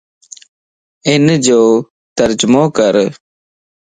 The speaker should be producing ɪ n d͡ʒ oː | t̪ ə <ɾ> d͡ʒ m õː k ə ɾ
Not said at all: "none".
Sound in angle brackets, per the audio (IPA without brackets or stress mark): ɾ